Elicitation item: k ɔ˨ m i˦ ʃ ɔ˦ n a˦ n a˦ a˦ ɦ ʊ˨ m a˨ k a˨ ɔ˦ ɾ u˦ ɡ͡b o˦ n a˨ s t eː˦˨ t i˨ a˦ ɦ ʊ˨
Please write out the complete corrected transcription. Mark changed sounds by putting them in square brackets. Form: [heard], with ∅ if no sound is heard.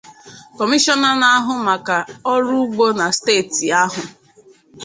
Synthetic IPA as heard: k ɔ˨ m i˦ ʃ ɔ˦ n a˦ n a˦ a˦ ɦ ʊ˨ m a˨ k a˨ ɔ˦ ɾ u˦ ɡ͡b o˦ n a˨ s t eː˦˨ t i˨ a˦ ɦ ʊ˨

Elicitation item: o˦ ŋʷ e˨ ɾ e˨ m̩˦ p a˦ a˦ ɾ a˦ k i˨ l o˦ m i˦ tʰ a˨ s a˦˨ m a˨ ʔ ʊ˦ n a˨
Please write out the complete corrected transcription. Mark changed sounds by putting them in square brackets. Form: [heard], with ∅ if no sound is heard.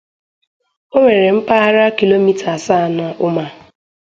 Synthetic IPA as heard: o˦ ŋʷ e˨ ɾ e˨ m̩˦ p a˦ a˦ ɾ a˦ k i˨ l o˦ m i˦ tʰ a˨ s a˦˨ [n] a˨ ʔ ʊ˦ [m] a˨

